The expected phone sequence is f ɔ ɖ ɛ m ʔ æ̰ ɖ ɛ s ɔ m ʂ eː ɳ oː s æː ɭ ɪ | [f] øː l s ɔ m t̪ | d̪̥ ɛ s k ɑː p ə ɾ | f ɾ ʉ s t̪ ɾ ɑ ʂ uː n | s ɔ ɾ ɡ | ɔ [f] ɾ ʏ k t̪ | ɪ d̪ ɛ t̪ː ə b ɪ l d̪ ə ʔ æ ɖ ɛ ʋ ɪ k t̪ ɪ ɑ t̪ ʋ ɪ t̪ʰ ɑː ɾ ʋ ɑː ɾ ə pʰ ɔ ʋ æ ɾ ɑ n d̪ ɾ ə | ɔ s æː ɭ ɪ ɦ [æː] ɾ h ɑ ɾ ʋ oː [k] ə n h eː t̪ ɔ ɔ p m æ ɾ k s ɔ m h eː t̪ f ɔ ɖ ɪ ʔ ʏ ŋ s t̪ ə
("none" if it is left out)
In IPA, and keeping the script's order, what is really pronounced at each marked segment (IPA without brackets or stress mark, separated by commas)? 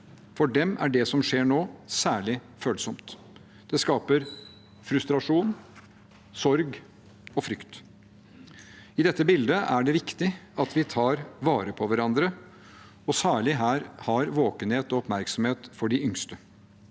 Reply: f, f, æː, k